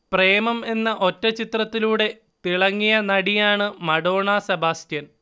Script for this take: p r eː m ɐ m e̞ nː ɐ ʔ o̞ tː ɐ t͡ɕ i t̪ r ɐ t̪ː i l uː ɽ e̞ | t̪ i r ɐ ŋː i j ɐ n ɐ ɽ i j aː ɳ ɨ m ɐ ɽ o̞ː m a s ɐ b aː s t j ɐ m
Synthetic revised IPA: p r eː m ɐ m e̞ nː ɐ ʔ o̞ tː ɐ t͡ɕ i t̪ r ɐ t̪ː i l uː ɽ e̞ | t̪ i ɭ ɐ ŋː i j ɐ n ɐ ɽ i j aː ɳ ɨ m ɐ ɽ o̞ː ɳ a s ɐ b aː s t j ɐ n